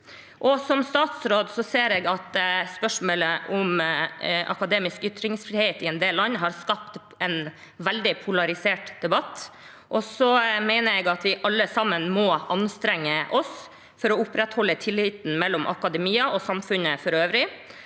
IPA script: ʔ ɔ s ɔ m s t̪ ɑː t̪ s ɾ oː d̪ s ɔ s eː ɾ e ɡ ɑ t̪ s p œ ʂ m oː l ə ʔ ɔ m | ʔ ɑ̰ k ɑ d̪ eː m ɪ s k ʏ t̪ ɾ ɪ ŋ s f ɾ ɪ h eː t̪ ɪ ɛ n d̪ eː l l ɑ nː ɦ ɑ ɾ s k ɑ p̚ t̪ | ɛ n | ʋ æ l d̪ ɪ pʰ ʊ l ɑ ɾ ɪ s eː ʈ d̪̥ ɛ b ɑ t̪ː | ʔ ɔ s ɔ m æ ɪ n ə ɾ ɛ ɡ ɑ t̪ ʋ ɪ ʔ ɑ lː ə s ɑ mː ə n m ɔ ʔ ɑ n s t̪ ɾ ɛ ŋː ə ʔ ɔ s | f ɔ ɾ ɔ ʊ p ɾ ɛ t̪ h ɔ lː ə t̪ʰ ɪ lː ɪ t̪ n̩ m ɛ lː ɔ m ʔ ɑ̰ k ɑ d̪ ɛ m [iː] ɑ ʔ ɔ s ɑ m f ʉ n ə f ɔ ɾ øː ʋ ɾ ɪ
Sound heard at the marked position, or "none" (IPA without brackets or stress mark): iː